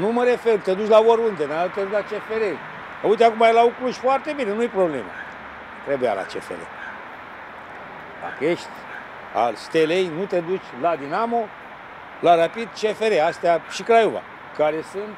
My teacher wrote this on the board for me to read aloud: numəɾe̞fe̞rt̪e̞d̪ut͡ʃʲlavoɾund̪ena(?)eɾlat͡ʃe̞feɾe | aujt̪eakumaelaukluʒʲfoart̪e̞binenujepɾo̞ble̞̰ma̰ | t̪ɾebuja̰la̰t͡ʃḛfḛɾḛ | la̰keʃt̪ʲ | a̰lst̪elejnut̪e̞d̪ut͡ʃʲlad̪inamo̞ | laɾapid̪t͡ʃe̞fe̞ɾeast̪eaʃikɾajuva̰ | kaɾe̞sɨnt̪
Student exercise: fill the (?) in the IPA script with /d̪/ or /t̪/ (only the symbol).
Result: t̪